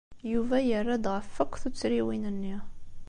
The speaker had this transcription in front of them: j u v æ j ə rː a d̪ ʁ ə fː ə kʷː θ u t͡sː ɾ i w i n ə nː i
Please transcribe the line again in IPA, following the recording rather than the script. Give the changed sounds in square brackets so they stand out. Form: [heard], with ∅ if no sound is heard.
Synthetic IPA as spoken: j u v æ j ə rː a d̪ ʁ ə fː ə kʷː θ u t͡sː ɾ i w i n ə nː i